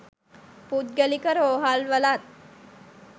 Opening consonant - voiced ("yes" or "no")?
no